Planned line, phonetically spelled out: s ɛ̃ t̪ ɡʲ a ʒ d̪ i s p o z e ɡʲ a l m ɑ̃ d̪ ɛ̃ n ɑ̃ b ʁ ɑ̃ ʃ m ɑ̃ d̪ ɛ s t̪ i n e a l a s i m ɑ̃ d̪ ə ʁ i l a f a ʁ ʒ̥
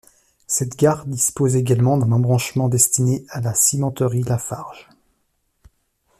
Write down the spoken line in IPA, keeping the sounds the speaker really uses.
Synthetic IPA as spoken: s ɛ t̪ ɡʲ a ʁ d̪ i s p o z e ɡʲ a l m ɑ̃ d̪ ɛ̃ n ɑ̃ b ʁ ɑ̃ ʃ m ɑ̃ d̪ ɛ s t̪ i n e a l a s i m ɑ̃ t̪ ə ʁ i l a f a ʁ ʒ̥